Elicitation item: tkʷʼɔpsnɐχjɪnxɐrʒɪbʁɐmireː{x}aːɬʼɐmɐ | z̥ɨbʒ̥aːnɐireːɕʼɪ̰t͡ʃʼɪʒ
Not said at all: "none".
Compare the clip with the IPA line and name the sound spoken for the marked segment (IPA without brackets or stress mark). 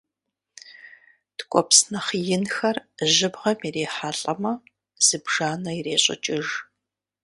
ħ